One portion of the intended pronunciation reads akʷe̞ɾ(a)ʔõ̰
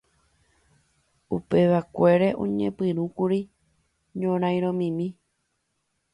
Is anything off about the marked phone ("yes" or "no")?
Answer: yes